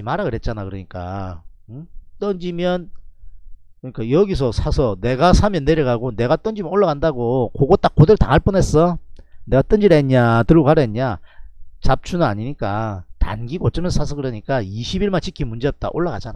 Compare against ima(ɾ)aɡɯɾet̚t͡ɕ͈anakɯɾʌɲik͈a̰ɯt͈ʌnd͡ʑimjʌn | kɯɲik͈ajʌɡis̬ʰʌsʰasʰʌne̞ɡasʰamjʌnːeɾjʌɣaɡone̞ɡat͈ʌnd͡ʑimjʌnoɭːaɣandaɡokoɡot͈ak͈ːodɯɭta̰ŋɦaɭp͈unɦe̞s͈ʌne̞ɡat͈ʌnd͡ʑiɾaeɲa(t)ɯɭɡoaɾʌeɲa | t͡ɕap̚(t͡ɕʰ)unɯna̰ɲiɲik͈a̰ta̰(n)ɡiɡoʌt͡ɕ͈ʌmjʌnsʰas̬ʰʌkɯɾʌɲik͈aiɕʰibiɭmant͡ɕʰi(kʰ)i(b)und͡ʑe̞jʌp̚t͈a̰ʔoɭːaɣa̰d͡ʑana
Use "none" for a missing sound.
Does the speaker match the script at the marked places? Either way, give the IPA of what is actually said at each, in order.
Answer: ɾ, t, t͡ɕʰ, n, kʰ, m

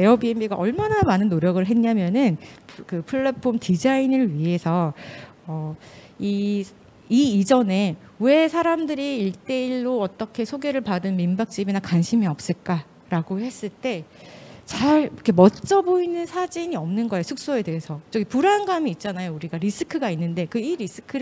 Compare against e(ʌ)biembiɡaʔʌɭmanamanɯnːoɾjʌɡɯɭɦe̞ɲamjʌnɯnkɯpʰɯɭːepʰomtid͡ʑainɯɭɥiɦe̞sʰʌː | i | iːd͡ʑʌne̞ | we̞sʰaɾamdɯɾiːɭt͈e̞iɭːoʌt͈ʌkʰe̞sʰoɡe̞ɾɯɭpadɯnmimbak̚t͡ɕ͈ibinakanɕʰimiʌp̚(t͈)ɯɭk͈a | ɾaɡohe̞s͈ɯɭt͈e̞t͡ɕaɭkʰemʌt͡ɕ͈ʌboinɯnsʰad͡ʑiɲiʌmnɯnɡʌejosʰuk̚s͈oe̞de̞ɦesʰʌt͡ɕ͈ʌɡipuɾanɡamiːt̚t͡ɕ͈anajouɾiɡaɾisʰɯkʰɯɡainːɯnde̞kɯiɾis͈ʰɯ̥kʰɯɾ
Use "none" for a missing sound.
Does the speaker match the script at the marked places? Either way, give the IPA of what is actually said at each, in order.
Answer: ʌ, s͈

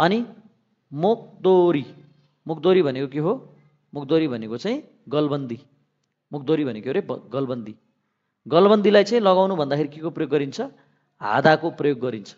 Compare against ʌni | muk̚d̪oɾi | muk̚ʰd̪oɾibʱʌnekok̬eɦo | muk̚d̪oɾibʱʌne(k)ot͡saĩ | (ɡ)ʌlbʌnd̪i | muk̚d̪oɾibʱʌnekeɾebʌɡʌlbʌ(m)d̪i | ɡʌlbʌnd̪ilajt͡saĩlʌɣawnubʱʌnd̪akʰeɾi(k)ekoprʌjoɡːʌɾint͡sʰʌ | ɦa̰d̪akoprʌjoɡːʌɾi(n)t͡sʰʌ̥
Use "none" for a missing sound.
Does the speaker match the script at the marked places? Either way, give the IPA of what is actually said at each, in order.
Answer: k, ɡ, n, k, n

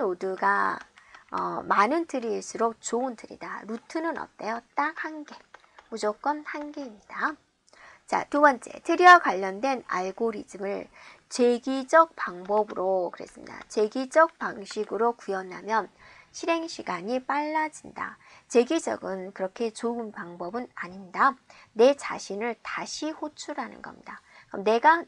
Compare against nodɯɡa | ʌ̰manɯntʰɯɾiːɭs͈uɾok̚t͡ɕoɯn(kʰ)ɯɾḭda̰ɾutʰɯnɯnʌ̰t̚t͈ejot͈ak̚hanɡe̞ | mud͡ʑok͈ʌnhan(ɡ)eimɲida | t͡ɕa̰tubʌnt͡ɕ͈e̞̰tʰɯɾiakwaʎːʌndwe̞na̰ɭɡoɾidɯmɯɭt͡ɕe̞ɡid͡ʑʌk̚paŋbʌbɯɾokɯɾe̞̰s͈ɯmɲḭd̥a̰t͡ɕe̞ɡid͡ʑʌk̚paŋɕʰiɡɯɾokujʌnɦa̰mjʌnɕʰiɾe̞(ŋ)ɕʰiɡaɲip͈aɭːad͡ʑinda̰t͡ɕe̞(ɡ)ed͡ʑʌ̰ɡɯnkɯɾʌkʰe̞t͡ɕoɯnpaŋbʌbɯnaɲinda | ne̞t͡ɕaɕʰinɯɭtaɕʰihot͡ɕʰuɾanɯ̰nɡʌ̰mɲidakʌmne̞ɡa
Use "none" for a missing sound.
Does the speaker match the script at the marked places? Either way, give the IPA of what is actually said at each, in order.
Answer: tʰ, ɡ, ŋ, ɡ

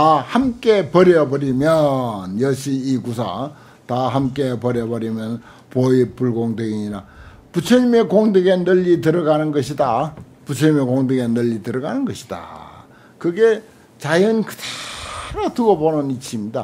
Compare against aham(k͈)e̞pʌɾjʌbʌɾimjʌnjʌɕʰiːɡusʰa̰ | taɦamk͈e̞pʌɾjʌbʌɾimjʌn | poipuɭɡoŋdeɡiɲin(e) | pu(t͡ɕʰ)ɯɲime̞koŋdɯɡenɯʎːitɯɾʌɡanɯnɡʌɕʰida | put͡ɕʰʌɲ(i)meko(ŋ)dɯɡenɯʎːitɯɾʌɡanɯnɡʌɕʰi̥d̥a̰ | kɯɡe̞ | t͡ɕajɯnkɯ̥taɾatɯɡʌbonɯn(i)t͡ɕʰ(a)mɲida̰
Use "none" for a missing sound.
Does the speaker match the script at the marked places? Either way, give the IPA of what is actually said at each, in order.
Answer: k͈, a, t͡ɕʰ, i, ŋ, i, i

